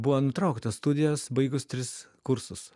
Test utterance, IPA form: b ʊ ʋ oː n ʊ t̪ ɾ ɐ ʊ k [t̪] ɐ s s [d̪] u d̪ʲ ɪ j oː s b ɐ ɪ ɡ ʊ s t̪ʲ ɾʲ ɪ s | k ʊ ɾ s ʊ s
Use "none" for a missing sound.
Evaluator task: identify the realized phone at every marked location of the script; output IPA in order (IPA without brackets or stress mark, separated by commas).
t̪, t̪